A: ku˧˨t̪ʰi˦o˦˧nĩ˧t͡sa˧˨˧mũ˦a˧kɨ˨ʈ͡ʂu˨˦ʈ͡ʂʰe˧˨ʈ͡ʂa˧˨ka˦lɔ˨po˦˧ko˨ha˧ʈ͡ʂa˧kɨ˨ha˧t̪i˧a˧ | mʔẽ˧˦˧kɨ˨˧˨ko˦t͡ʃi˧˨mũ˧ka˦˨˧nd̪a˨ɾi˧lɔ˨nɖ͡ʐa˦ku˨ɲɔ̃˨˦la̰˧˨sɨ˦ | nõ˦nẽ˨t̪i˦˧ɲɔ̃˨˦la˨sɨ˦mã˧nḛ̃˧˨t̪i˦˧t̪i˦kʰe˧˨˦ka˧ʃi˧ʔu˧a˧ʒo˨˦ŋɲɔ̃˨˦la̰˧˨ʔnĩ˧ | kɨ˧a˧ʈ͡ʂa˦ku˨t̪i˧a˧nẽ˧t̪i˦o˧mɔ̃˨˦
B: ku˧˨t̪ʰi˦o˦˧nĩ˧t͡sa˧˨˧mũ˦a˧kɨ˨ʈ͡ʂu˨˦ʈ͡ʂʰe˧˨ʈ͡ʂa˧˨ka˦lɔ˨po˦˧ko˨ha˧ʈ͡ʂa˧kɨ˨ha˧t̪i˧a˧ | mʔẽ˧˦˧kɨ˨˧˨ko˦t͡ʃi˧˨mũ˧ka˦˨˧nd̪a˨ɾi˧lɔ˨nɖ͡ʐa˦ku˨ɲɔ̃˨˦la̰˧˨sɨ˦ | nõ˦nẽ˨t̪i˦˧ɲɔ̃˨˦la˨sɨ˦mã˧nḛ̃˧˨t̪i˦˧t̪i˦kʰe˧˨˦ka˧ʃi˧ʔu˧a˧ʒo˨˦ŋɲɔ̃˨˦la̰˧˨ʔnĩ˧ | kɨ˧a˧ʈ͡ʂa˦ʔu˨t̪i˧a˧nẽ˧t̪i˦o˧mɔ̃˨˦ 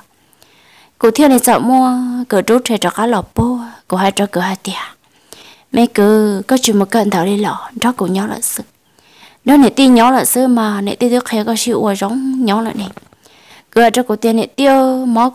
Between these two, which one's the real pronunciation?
A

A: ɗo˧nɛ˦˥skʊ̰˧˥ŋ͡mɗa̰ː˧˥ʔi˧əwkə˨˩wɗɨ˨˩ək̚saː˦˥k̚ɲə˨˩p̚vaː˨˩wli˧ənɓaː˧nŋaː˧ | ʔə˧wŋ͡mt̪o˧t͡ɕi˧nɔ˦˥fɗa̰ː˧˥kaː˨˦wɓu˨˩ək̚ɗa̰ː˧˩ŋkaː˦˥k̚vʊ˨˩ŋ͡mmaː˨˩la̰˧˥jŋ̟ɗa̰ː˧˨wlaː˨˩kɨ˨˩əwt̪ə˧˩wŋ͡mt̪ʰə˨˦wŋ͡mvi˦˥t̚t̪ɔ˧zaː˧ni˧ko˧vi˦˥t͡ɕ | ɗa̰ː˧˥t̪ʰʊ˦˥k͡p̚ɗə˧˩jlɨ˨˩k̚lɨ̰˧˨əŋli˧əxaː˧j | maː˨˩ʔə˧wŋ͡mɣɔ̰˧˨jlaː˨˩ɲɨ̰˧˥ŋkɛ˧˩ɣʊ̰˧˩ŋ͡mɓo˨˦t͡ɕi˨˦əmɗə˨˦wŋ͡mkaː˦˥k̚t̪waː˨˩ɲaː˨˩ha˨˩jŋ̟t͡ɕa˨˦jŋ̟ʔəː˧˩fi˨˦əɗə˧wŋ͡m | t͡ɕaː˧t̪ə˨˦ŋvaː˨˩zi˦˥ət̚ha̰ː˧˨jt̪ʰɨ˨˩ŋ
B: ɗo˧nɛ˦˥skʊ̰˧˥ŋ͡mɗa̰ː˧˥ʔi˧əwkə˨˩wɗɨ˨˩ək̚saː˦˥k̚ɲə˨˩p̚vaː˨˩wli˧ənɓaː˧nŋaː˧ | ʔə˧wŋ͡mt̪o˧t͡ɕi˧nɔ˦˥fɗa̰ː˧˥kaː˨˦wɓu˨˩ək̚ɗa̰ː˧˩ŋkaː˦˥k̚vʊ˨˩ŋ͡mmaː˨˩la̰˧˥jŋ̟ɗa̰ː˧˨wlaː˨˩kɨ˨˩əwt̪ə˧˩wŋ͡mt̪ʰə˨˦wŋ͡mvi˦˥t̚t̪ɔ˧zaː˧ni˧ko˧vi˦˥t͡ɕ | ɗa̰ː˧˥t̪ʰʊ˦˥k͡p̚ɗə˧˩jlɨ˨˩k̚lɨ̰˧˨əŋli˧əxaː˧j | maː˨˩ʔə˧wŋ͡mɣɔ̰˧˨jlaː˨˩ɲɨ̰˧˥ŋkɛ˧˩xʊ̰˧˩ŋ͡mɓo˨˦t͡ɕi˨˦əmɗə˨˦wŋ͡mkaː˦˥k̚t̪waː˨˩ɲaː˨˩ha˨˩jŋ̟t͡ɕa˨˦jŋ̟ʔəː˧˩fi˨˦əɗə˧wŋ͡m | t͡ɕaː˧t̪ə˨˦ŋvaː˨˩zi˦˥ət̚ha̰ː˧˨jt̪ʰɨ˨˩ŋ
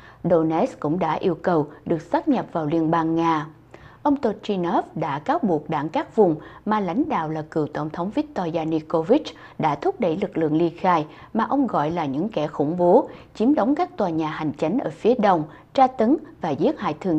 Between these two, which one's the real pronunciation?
B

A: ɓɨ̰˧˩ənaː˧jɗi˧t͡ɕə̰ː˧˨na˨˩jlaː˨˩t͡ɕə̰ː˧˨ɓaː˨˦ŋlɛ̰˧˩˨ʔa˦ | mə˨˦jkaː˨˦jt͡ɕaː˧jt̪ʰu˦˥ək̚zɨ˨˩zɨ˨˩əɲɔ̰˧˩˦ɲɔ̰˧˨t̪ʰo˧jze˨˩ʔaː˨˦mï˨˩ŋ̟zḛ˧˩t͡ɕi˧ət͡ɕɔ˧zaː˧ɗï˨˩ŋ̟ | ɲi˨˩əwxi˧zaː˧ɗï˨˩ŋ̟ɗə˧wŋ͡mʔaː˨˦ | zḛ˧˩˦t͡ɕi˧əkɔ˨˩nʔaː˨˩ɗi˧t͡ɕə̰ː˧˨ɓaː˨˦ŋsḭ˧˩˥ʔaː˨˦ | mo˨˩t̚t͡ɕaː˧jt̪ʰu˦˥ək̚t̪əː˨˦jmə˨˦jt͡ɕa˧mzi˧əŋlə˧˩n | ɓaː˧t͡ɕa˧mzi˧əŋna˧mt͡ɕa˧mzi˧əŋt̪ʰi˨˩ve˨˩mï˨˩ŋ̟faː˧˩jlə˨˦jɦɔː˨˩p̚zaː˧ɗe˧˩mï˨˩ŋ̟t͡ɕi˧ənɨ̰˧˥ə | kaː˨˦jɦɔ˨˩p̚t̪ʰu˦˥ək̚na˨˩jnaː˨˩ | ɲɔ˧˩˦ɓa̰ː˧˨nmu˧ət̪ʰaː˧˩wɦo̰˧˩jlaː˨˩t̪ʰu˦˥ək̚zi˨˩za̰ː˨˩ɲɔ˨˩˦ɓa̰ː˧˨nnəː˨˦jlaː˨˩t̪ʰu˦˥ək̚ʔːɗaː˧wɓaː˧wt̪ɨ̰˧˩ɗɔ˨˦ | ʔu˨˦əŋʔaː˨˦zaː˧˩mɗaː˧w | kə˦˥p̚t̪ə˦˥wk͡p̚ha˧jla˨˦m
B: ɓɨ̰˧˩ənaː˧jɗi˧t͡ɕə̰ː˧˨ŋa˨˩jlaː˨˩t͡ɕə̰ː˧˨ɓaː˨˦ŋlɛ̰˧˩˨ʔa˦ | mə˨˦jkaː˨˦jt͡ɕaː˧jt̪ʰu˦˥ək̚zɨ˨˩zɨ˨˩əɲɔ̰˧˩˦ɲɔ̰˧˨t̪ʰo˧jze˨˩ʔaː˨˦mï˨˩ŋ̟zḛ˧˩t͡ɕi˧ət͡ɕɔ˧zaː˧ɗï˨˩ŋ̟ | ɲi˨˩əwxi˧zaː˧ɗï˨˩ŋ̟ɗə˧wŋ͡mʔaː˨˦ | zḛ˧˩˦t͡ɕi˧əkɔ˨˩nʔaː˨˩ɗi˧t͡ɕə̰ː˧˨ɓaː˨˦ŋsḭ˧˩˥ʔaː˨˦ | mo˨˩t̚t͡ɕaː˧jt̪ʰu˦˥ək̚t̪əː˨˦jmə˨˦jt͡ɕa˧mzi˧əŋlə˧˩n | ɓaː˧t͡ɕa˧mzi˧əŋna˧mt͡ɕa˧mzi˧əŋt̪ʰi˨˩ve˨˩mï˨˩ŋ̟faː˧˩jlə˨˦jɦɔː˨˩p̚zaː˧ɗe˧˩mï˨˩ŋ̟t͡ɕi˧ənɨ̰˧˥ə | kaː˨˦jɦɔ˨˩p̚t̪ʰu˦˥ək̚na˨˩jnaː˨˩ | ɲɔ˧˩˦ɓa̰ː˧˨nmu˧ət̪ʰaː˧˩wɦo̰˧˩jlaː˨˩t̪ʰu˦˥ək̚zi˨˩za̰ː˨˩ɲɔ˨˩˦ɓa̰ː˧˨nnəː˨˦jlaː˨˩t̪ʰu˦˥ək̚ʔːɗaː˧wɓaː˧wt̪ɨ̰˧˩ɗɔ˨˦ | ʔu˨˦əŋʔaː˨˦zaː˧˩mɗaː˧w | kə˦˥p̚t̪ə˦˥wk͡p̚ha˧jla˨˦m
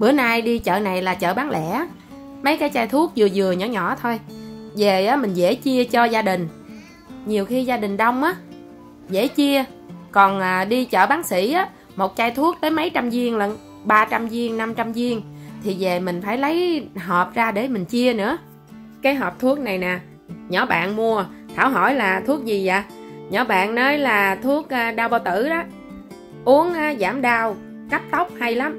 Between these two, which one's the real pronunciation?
A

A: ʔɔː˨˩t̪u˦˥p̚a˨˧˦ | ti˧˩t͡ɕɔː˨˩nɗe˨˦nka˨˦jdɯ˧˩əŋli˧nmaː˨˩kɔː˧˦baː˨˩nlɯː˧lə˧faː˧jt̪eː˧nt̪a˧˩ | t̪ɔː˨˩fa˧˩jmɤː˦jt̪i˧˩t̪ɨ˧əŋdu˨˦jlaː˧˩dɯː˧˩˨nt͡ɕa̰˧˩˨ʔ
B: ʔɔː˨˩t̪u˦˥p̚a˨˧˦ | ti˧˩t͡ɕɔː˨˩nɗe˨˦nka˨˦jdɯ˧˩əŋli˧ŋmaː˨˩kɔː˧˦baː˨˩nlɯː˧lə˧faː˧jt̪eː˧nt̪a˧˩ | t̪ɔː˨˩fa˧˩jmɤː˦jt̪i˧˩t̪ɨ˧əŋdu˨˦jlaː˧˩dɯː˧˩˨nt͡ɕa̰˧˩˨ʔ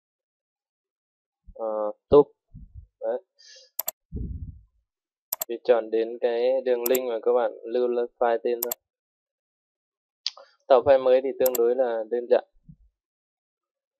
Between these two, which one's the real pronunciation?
B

